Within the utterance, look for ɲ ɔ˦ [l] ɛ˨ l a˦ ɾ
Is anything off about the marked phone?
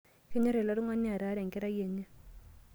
yes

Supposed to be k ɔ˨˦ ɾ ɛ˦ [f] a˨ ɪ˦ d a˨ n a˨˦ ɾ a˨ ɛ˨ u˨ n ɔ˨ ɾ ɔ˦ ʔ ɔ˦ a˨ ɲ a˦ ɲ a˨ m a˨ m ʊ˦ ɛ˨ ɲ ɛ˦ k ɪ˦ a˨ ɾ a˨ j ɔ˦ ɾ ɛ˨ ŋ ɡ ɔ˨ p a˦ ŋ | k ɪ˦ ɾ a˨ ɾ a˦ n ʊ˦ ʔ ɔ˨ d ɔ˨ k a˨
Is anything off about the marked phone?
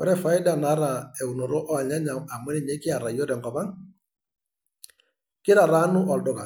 no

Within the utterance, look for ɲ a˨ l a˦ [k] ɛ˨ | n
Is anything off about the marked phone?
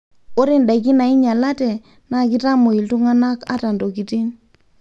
yes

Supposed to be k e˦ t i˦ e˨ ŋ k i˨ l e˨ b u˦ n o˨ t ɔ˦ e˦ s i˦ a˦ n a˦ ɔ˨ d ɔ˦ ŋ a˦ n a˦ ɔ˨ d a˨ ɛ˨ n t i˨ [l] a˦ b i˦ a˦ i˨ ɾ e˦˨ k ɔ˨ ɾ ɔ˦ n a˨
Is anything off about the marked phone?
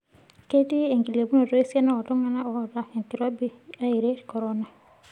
yes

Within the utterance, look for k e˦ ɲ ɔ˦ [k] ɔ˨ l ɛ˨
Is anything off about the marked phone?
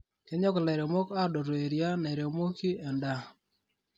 no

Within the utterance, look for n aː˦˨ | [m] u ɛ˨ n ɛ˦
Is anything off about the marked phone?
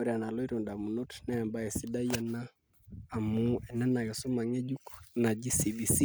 no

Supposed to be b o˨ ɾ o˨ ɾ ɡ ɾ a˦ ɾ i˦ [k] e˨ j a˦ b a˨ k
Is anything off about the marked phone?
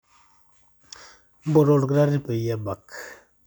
yes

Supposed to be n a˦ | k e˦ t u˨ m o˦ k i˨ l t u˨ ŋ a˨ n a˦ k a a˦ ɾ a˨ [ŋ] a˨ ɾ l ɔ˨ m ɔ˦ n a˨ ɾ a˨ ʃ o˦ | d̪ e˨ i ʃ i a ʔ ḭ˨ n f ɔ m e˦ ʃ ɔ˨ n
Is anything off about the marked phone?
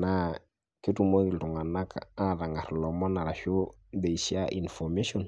no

